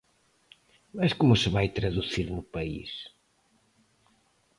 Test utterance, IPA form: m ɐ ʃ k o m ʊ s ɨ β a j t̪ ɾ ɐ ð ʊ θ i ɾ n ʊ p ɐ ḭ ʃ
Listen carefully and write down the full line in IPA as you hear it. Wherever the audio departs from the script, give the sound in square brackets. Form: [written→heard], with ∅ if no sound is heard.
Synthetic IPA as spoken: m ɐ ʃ k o m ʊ s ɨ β a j t̪ ɾ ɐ ð [ʊ→u] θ i ɾ n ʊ p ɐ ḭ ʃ